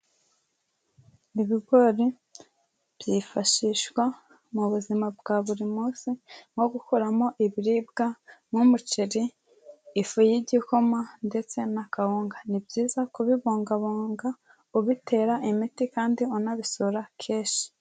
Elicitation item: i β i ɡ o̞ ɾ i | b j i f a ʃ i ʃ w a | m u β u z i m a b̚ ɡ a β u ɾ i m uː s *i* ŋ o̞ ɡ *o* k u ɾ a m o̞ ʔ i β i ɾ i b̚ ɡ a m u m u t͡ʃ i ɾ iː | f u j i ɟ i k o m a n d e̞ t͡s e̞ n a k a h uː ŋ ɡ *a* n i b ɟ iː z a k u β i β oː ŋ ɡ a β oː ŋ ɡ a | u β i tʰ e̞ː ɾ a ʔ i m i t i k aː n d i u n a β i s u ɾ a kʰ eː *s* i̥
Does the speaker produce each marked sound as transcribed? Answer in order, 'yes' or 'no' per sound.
yes, no, yes, no

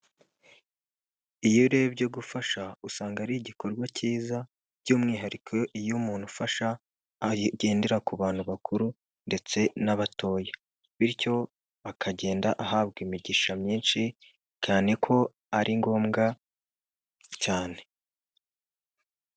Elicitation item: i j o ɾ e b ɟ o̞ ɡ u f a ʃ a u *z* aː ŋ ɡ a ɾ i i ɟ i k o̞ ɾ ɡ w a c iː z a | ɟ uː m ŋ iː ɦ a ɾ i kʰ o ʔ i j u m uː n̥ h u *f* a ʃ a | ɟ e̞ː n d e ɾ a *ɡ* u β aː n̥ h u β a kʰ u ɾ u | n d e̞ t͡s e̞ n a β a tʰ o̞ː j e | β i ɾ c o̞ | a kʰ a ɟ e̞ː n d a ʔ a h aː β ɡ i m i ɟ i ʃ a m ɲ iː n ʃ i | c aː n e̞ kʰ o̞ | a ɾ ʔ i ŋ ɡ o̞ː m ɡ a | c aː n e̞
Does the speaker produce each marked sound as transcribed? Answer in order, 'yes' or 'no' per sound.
no, yes, no

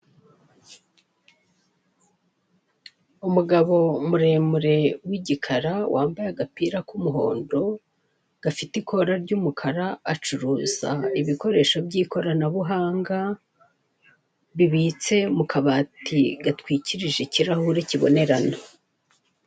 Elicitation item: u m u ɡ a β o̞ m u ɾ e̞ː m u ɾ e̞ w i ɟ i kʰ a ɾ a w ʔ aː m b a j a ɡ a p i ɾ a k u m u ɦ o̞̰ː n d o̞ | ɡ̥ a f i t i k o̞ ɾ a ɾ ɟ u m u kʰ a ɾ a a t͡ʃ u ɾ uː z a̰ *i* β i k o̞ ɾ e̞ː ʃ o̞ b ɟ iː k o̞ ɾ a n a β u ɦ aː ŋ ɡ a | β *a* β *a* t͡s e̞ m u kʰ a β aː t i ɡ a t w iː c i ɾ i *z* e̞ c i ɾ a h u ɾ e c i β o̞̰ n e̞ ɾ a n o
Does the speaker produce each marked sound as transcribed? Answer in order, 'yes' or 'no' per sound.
yes, no, no, no

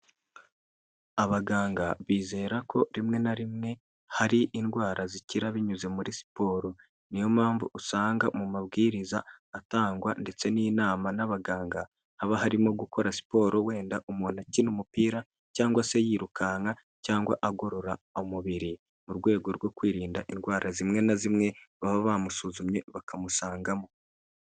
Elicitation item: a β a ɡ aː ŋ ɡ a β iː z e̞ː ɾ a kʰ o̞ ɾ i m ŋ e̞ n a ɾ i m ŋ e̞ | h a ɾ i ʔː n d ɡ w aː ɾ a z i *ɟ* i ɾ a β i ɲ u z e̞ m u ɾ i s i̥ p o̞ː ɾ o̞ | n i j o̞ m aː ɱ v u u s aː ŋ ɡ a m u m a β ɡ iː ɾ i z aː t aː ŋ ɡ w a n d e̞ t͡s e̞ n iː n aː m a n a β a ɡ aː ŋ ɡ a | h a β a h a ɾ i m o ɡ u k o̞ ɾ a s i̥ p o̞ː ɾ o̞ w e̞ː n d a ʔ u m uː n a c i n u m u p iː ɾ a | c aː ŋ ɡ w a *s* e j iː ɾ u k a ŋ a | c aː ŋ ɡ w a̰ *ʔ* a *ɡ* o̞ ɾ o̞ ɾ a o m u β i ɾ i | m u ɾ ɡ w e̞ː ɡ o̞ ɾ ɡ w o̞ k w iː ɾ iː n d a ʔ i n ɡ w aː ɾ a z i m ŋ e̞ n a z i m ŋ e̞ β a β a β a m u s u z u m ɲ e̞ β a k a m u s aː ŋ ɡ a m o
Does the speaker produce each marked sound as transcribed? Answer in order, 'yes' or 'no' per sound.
no, yes, yes, yes

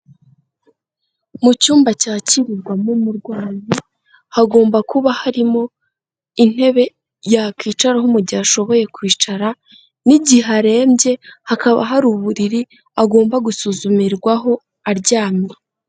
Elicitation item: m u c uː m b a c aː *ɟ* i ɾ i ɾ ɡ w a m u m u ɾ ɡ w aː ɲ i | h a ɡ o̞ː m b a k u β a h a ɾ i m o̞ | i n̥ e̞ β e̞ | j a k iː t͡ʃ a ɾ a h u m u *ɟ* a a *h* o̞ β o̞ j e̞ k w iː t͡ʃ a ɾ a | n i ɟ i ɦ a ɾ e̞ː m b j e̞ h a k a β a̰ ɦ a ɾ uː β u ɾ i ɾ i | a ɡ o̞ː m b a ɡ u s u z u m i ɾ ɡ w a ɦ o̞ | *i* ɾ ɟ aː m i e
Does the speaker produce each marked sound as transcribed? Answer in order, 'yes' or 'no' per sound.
no, yes, no, no

